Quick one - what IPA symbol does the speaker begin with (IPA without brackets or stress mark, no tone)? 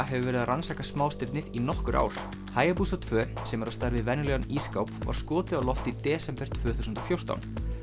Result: ɦ